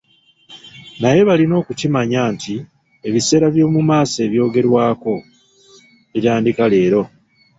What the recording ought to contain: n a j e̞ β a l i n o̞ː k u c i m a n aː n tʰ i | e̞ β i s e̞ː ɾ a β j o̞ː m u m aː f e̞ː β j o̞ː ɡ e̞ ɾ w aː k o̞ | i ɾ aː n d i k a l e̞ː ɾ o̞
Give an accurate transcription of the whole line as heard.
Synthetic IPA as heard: n a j e̞ β a l i n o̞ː k u c i m a ɲ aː n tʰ i | e̞ β i s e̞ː ɾ a β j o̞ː m u m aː s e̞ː β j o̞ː ɡ e̞ ɾ w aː k o̞ | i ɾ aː n d i k a l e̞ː ɾ o̞